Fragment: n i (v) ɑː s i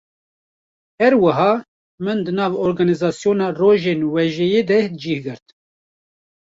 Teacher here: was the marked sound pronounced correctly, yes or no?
no